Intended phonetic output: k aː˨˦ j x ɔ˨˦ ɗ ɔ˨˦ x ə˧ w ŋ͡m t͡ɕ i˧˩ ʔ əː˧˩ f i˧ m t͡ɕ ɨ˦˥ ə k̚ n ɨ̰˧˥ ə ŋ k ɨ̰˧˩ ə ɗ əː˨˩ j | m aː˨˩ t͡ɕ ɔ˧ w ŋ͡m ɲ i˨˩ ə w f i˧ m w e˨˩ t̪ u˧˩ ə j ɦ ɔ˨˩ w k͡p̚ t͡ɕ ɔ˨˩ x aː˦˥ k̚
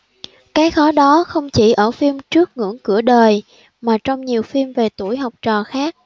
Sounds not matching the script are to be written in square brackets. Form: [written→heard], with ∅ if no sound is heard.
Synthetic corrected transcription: k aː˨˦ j x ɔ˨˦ ɗ ɔ˨˦ x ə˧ w ŋ͡m t͡ɕ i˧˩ ʔ əː˧˩ f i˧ m t͡ɕ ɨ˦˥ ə k̚ [n→ŋ] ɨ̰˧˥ ə ŋ k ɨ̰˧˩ ə ɗ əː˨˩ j | m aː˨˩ t͡ɕ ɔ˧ w ŋ͡m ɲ i˨˩ ə w f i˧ m [w→v] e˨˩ t̪ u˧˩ ə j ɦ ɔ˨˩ w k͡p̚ t͡ɕ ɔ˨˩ x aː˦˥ k̚